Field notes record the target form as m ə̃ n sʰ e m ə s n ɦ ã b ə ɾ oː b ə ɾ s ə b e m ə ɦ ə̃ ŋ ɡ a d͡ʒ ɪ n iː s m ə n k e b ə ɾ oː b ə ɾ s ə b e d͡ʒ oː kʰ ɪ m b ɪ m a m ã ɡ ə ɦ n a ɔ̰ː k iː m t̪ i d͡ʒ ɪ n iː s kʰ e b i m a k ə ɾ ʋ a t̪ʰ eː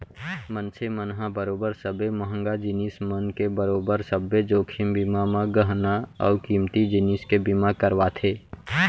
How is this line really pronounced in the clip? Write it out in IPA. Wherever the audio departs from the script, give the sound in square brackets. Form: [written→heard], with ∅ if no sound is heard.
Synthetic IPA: m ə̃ n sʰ e m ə [s→∅] n ɦ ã b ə ɾ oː b ə ɾ s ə b e m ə ɦ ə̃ ŋ ɡ a d͡ʒ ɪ n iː s m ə n k e b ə ɾ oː b ə ɾ s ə b e d͡ʒ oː kʰ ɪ m b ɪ m a m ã ɡ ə ɦ n a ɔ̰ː k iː m t̪ i d͡ʒ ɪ n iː s [kʰ→k] e b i m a k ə ɾ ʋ a t̪ʰ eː